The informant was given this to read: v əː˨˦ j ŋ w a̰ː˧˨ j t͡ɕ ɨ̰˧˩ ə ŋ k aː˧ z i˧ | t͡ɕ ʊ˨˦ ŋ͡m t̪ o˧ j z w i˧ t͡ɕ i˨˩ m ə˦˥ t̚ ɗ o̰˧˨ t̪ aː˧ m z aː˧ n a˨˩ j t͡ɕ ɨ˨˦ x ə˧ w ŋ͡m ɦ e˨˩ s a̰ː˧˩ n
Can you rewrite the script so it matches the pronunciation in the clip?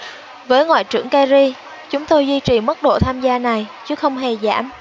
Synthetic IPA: v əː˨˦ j ŋ w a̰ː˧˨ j t͡ɕ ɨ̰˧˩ ə ŋ k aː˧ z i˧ | t͡ɕ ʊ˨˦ ŋ͡m t̪ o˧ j z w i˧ t͡ɕ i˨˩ m ə˦˥ t̚ ɗ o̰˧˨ t̪ʰ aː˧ m z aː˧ n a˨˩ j t͡ɕ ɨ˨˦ x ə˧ w ŋ͡m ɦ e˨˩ z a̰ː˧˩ m